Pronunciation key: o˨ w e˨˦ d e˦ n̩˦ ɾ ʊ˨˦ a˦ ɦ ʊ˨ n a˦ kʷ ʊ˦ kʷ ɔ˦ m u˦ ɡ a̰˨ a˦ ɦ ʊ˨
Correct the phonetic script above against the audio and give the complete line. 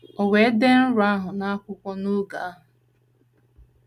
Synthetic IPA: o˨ w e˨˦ d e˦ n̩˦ ɾ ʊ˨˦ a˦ ɦ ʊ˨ n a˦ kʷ ʊ˦ kʷ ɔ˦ n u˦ ɡ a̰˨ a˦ ɦ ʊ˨

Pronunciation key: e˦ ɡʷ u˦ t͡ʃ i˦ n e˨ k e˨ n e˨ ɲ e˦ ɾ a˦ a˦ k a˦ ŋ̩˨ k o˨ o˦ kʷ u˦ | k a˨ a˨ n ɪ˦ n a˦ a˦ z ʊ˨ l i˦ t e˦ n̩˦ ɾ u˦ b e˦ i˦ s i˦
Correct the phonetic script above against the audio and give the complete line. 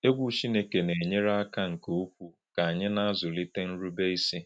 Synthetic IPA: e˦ ɡʷ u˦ t͡ʃ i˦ n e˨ k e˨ n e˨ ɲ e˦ ɾ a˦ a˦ k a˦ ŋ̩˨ k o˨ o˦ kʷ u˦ | k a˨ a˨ ɲ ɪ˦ n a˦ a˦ z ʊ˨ l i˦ t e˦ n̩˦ ɾ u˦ b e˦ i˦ s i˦

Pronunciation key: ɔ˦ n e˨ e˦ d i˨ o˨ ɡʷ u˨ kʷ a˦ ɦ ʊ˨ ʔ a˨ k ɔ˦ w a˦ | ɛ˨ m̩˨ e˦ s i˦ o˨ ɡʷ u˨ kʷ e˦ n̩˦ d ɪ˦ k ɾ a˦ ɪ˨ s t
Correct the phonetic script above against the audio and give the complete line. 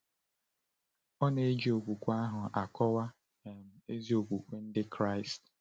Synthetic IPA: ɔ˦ n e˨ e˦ d͡ʒ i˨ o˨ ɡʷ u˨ kʷ a˦ ɦ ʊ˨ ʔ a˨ k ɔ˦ w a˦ | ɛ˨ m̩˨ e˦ z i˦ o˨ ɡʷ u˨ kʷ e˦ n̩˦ d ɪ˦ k ɾ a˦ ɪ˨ s t

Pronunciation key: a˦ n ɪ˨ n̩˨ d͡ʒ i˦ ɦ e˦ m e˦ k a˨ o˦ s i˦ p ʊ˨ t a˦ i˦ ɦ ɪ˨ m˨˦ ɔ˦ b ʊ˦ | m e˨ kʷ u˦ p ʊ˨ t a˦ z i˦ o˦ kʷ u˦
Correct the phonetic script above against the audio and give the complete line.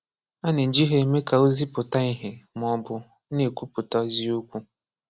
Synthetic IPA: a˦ n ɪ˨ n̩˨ d͡ʒ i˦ ɦ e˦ m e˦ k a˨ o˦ z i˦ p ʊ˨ t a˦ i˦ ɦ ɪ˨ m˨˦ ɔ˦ b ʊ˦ | n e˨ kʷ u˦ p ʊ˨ t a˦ z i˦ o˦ kʷ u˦

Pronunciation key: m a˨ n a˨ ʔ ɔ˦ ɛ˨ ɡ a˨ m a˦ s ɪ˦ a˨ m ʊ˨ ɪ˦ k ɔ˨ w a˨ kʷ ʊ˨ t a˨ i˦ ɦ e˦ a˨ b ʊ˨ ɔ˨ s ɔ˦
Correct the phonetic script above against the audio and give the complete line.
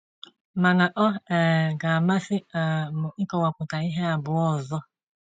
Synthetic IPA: m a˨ n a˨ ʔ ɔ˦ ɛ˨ ɡ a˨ m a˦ s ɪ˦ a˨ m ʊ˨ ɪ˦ k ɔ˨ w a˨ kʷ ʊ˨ t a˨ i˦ ɦ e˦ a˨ b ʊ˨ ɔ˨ z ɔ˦

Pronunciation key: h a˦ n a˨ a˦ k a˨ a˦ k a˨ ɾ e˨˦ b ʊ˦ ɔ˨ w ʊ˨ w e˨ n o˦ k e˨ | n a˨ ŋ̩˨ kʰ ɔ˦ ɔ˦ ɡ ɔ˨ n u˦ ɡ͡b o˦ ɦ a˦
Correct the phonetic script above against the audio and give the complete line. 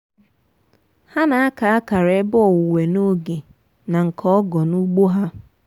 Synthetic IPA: h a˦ n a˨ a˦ k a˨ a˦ k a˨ ɾ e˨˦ b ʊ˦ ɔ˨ w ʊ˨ w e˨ n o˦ ɡ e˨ | n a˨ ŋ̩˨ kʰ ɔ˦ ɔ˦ ɡ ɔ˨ n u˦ ɡ͡b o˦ ɦ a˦

